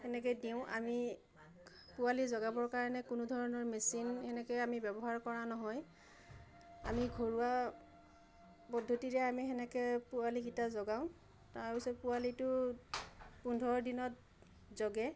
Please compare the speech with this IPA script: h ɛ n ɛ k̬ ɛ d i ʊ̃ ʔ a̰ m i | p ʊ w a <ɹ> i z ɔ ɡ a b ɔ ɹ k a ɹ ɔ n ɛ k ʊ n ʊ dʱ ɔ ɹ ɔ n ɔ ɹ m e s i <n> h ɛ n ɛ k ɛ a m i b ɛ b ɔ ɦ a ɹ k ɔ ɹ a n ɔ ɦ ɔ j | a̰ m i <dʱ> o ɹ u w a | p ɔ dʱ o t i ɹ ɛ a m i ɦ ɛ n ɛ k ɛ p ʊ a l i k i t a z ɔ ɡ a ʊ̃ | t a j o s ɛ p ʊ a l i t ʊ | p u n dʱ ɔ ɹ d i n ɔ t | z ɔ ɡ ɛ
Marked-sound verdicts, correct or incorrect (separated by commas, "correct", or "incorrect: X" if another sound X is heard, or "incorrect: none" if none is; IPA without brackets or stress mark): incorrect: l, correct, incorrect: ɡʱ